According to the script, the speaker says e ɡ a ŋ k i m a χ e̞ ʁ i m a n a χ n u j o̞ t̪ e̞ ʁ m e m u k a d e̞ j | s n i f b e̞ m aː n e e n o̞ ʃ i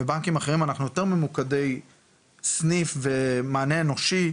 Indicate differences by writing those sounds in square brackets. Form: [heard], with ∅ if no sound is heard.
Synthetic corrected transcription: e [b] a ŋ k i m a χ e̞ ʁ i m a n a χ n u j o̞ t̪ e̞ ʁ m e m u k a d e̞ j | s n i f [v] e̞ m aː n e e n o̞ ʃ i